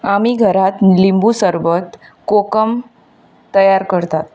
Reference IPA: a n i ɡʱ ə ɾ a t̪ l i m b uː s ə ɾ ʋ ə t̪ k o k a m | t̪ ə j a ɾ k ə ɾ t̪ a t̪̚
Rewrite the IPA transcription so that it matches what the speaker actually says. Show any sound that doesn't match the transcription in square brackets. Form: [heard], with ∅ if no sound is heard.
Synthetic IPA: a [m] i ɡʱ ə ɾ a t̪ l i m b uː s ə ɾ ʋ ə t̪ k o k [ə] m | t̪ ə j a ɾ k ə ɾ t̪ a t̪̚